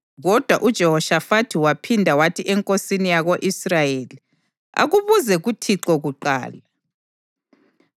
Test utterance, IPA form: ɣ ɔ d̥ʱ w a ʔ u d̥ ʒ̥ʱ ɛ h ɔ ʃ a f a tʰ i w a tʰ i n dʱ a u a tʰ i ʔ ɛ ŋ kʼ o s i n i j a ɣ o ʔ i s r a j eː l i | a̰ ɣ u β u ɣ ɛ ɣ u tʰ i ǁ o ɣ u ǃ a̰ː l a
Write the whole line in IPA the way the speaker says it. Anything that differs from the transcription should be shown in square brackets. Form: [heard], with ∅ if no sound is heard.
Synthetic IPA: ɣ ɔ d̥ʱ w a ʔ u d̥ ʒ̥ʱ ɛ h ɔ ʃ a f a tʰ i w a [pʰ] i n dʱ a [w] a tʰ i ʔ ɛ ŋ kʼ o s i n i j a ɣ o ʔ i s r a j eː l i | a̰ ɣ u β u [z] ɛ ɣ u tʰ i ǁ [ɔ] ɣ u ǃ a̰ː l a